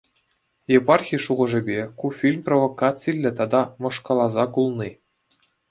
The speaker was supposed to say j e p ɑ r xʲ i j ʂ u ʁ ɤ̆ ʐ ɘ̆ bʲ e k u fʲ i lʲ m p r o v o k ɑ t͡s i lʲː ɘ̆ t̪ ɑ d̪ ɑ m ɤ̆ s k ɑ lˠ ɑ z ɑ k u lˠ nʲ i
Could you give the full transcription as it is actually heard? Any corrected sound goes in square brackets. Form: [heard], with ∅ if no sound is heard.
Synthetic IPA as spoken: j e p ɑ r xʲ i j ʂ u ʁ ɤ̆ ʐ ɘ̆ bʲ e k u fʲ i lʲ m p r o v o k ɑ t͡s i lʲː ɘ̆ t̪ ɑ d̪ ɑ m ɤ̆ [ʂ] k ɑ lˠ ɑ z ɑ k u lˠ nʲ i

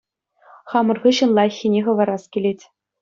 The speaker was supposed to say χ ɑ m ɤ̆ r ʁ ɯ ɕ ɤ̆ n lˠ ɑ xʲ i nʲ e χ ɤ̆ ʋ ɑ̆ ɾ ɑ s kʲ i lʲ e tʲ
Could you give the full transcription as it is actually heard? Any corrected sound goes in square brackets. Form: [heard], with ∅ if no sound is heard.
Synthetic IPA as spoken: χ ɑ m ɤ̆ r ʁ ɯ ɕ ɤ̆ n lˠ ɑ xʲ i nʲ e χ ɤ̆ ʋ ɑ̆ ɾ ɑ s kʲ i lʲ e tʲ

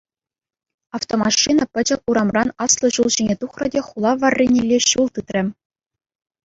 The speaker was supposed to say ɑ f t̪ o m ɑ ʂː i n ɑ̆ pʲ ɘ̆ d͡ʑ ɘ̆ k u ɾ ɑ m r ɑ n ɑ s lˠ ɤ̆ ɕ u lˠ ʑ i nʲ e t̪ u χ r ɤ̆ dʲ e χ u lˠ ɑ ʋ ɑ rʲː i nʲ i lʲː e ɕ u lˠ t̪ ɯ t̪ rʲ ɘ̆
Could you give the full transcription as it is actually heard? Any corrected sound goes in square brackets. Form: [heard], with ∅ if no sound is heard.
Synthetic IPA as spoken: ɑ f t̪ o m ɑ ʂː i n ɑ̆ pʲ ɘ̆ d͡ʑ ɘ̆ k u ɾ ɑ m r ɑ n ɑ s lˠ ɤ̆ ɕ u lˠ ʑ i nʲ e t̪ u χ r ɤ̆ dʲ e χ u lˠ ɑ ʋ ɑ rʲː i nʲ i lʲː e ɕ u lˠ t̪ ɯ t̪ rʲ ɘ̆

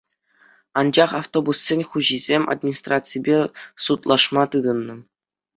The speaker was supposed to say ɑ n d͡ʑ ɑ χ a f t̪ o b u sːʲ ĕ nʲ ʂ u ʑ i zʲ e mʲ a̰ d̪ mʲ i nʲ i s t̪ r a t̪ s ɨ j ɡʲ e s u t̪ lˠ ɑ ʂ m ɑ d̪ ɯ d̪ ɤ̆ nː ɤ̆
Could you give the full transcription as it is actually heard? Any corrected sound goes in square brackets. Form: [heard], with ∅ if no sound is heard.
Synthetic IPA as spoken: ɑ n d͡ʑ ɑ χ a f t̪ o b u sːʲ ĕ nʲ [χ] u ʑ i zʲ e mʲ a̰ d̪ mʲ i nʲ i s t̪ r a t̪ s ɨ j [bʲ] e s u t̪ lˠ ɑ ʂ m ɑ [t̪] ɯ d̪ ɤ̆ nː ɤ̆

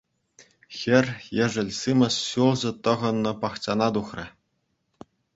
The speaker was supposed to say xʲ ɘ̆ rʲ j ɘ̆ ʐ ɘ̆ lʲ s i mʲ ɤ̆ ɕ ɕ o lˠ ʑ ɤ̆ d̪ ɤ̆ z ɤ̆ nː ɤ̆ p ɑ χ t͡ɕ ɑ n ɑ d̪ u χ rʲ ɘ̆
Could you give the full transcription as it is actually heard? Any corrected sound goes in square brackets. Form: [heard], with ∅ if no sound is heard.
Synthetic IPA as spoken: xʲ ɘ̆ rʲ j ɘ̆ ʐ ɘ̆ lʲ s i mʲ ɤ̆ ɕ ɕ [u] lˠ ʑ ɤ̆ [t̪] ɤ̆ [ʁ] ɤ̆ nː ɤ̆ p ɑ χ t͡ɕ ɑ n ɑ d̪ u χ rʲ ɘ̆

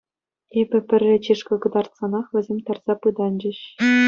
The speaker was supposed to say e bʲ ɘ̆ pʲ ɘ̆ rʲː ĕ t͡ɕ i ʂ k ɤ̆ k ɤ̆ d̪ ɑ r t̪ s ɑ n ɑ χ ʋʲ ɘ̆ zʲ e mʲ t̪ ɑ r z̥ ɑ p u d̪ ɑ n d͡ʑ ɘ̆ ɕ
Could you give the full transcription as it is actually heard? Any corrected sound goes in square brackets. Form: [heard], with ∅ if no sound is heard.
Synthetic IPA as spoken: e bʲ ɘ̆ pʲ ɘ̆ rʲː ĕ t͡ɕ i ʂ k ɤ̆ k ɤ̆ d̪ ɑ r t̪ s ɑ n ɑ χ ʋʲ ɘ̆ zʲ e mʲ t̪ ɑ r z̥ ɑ p [ɯ] d̪ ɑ n d͡ʑ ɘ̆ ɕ

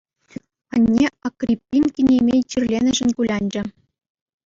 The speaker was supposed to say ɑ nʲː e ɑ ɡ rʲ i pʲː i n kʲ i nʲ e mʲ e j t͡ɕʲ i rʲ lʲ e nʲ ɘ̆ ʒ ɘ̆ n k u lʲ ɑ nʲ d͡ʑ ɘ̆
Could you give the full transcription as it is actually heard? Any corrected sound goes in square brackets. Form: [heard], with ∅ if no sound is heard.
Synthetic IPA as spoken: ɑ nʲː e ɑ [k] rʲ i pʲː i n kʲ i nʲ e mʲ e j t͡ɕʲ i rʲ lʲ e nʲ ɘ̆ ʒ ɘ̆ n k u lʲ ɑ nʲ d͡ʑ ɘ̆

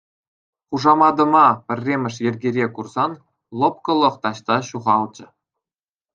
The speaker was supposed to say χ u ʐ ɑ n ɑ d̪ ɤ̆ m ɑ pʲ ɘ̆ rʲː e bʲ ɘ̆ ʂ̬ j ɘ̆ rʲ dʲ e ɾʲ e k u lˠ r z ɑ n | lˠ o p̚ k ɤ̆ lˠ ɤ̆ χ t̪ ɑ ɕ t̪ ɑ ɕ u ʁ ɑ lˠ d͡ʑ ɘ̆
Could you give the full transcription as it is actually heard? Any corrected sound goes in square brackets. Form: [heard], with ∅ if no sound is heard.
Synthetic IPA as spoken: χ u ʐ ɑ [m] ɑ d̪ ɤ̆ m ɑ pʲ ɘ̆ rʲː e [mʲ] ɘ̆ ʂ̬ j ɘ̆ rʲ [ɡʲ] e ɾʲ e k u [∅] r z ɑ n | lˠ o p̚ k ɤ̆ lˠ ɤ̆ χ t̪ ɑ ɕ t̪ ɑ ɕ u ʁ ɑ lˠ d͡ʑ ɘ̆

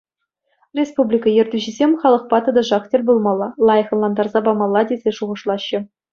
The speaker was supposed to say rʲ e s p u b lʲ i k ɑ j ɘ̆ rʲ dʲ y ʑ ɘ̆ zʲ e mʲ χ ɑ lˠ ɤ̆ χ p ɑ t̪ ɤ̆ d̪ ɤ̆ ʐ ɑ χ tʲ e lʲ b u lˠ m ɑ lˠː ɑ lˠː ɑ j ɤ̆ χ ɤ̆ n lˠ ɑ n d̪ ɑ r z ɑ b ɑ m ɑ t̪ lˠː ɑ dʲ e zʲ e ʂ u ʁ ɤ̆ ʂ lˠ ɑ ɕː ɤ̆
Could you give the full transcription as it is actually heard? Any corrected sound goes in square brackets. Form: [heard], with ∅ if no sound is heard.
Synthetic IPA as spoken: rʲ e s p u b lʲ i k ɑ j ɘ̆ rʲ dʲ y ʑ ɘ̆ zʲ e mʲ χ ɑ lˠ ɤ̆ χ p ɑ t̪ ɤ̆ d̪ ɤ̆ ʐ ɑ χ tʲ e lʲ b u lˠ m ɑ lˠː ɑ [lˠ] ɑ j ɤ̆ χ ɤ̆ n lˠ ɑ n d̪ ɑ r z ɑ b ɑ m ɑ [∅] lˠː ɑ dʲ e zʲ e ʂ u ʁ ɤ̆ ʂ lˠ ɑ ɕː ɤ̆

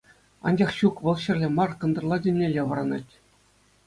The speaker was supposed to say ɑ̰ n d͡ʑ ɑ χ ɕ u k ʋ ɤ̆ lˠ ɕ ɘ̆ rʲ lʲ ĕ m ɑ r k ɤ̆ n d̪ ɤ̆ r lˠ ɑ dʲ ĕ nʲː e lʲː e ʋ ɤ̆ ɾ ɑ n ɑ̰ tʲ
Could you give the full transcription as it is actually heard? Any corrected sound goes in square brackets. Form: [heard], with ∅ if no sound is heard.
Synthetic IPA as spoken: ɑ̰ n d͡ʑ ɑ χ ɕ u k ʋ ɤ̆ lˠ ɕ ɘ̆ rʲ lʲ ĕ m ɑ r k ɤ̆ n d̪ ɤ̆ r lˠ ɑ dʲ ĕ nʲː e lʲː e ʋ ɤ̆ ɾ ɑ n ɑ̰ tʲ

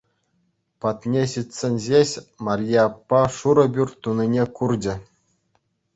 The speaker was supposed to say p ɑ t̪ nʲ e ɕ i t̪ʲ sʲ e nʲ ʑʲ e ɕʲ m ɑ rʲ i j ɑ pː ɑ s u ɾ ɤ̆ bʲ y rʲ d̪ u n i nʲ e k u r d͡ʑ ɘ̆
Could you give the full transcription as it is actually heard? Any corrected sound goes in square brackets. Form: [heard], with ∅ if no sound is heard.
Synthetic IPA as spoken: p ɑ t̪ nʲ e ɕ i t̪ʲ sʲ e nʲ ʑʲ e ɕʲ m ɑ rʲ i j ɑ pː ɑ [ʂ] u ɾ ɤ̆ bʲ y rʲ [t̪] u n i nʲ e k u r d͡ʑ ɘ̆

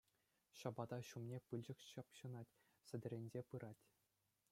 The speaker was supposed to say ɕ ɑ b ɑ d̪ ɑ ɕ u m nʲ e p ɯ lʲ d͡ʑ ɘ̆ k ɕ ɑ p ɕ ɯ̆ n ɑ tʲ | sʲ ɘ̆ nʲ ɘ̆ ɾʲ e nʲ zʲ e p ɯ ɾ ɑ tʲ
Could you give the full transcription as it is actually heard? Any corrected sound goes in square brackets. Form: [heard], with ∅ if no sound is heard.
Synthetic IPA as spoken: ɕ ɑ b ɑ d̪ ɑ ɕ u m nʲ e p ɯ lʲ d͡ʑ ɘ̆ k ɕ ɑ p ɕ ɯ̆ n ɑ tʲ | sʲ ɘ̆ [dʲ] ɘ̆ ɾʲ e nʲ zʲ e p ɯ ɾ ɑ tʲ

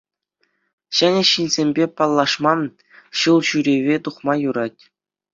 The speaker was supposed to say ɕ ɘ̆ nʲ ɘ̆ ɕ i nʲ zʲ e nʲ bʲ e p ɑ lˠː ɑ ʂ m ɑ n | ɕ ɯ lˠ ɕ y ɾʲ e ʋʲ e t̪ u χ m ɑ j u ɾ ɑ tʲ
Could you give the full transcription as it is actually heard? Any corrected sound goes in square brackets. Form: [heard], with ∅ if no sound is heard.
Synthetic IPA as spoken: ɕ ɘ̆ nʲ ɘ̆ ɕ i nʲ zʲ e [mʲ] bʲ e p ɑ lˠː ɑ ʂ m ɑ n | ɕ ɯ lˠ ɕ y ɾʲ e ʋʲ e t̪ u χ m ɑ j u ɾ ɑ tʲ

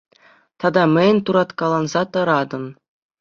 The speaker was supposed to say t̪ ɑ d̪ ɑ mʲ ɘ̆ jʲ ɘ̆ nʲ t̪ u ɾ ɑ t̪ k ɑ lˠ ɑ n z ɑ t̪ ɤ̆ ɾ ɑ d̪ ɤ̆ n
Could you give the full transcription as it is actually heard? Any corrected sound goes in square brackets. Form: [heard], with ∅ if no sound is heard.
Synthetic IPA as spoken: t̪ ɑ d̪ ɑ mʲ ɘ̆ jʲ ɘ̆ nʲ t̪ u ɾ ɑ t̪ k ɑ lˠ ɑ n z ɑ t̪ ɤ̆ ɾ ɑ d̪ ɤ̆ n

